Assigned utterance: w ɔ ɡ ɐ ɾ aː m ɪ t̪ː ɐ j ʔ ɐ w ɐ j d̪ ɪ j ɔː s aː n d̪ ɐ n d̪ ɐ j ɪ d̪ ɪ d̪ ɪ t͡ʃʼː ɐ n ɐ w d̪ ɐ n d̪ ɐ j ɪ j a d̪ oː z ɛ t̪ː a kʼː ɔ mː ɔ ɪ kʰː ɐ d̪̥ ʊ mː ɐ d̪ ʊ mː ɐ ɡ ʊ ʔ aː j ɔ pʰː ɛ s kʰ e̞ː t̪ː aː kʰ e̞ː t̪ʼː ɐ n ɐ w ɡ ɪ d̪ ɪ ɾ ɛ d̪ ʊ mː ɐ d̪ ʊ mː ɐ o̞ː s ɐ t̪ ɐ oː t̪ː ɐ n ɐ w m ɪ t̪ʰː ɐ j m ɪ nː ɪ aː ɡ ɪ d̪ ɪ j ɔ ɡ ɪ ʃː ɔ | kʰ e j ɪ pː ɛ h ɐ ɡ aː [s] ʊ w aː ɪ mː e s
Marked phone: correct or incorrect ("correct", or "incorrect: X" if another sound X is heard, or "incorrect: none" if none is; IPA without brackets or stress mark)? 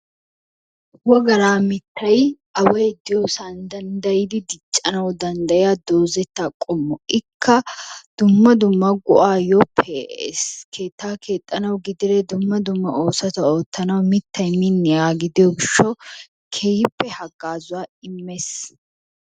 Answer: incorrect: z